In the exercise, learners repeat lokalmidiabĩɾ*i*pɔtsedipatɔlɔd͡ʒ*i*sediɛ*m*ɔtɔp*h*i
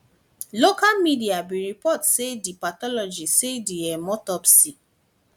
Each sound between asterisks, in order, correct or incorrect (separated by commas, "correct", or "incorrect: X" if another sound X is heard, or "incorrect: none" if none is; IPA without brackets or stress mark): correct, correct, correct, incorrect: s